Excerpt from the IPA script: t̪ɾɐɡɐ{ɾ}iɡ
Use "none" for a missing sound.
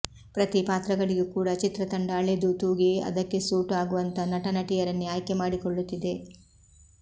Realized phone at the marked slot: ɭ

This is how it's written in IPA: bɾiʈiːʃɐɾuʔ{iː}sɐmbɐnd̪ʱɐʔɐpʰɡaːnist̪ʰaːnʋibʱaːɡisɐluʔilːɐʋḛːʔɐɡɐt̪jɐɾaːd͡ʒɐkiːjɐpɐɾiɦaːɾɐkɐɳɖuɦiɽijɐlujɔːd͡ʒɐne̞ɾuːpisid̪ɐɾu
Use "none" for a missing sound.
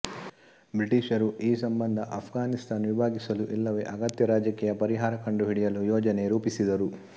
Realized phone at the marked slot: iː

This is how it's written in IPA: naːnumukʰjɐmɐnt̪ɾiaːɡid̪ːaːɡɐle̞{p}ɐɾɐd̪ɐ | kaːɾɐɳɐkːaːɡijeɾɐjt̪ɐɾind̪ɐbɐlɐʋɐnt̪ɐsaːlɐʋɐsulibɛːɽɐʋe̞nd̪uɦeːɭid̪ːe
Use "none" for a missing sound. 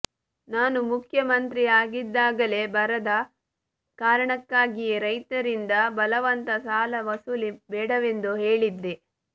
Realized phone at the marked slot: b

